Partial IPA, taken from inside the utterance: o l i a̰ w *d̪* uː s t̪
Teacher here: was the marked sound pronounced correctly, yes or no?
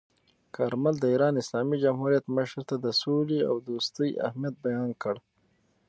yes